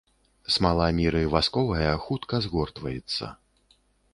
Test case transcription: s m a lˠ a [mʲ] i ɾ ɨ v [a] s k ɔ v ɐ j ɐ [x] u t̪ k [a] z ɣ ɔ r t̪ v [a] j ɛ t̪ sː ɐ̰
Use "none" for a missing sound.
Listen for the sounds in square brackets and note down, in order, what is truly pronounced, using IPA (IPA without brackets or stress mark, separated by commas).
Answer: mʲ, a, x, ɐ, ɐ